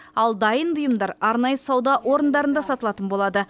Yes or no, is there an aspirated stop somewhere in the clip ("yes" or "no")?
no